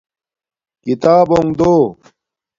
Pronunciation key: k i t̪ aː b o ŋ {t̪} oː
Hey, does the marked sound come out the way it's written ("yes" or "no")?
no